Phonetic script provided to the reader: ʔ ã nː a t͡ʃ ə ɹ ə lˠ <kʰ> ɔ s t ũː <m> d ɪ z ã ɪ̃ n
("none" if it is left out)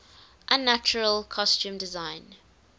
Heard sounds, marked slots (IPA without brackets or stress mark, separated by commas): kʰ, m